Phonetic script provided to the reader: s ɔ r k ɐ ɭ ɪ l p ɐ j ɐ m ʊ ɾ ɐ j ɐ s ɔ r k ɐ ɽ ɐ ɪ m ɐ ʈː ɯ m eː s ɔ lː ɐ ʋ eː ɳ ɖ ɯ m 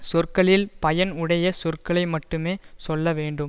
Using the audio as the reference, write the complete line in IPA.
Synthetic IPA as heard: s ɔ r k ɐ ɭ ɪ l p ɐ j ɐ n ʊ ɽ ɐ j ɐ s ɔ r k ɐ ɭ ɐ ɪ m ɐ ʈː ɯ m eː s ɔ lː ɐ ʋ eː ɳ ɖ ɯ m